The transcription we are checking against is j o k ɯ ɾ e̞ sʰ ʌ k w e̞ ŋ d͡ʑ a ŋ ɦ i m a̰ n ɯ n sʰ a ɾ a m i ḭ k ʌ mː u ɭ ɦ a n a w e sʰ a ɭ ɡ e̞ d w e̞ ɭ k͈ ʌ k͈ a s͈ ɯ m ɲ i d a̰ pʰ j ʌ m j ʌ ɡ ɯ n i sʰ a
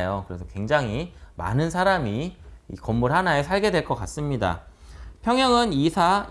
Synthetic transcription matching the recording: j o k ɯ ɾ e̞ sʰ ʌ k w e̞ ŋ d͡ʑ a ŋ ɦ i m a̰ n ɯ n sʰ a ɾ a m i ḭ k ʌ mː u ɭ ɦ a n a e sʰ a ɭ ɡ e̞ d w e̞ ɭ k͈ ʌ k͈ a s͈ ɯ m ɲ i d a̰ pʰ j ʌ ŋ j ʌ ŋ ɯ n i sʰ a